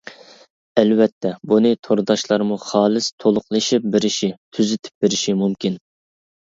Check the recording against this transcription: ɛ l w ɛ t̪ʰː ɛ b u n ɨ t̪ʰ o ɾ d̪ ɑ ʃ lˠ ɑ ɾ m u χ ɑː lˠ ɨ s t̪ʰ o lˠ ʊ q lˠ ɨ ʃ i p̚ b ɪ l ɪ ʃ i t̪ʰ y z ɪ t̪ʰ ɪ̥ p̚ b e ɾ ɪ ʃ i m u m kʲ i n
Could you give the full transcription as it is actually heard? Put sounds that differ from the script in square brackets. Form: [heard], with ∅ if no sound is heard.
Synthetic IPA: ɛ l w ɛ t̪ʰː ɛ b u n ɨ t̪ʰ o ɾ d̪ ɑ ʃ lˠ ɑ ɾ m u χ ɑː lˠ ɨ s t̪ʰ o lˠ ʊ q lˠ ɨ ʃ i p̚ b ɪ [ɾ] ɪ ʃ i t̪ʰ y z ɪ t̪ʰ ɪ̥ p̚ b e ɾ ɪ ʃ i m u m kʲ i n